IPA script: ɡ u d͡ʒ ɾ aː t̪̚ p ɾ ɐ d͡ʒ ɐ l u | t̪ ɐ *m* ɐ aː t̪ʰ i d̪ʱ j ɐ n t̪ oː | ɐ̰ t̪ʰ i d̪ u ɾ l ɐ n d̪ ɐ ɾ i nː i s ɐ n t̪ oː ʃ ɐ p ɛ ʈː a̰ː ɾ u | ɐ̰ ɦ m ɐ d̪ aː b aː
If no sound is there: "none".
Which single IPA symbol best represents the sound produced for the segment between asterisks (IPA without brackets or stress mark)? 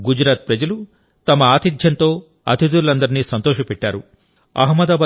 m